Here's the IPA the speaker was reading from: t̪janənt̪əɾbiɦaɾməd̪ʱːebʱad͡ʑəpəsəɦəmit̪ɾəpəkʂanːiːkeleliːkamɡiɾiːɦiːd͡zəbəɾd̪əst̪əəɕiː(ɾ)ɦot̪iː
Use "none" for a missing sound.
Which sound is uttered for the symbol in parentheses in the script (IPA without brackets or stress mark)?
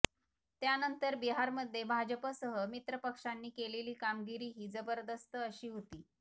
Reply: none